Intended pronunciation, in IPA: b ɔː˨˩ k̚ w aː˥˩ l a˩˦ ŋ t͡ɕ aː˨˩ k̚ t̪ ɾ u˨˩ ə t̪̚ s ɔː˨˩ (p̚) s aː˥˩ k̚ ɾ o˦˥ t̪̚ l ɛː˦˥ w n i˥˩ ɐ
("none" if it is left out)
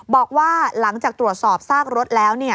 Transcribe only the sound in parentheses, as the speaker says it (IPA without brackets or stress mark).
p̚